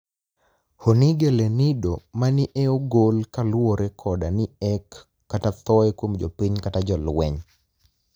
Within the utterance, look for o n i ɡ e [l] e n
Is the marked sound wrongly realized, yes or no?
no